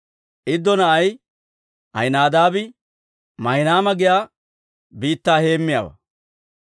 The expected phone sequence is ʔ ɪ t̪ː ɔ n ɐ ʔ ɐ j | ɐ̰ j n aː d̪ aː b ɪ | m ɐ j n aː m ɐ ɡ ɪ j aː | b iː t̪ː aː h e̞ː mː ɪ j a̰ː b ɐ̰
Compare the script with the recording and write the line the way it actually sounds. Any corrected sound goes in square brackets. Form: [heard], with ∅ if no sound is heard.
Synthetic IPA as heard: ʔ ɪ [d̪ː] ɔ n ɐ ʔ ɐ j | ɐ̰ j n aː d̪ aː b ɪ | m ɐ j n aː m ɐ ɡ ɪ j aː | b iː t̪ː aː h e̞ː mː ɪ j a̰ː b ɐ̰